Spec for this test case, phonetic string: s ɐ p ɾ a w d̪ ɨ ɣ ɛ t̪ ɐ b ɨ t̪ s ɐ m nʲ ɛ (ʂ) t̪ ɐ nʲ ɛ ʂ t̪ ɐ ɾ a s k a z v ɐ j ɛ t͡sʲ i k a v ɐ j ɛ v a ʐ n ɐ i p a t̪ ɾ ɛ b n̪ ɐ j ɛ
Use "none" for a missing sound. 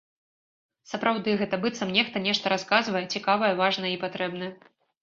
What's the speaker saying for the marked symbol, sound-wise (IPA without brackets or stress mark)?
x